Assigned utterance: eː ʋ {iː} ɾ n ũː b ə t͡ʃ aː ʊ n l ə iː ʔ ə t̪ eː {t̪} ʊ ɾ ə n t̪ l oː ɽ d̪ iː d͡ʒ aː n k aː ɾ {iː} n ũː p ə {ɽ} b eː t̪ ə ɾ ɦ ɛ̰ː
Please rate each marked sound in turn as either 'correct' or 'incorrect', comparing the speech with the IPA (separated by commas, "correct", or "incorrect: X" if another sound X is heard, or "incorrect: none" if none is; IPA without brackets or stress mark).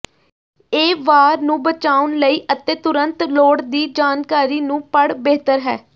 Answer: incorrect: aː, correct, correct, correct